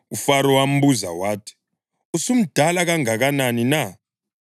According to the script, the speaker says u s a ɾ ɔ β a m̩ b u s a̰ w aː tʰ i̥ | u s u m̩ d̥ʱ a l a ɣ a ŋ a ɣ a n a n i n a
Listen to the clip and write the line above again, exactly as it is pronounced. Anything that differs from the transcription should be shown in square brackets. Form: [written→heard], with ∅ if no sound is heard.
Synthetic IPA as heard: u [s→f] a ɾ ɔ [β→w] a m̩ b u [s→z] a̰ w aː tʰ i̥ | u s u m̩ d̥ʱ a l a ɣ a ŋ a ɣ a n a n i n a